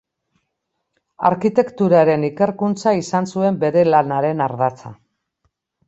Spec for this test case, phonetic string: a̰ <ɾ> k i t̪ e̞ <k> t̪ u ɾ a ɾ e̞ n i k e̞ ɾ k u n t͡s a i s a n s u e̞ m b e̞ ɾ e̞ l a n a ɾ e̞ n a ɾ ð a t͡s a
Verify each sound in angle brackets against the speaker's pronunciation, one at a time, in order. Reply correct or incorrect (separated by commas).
correct, correct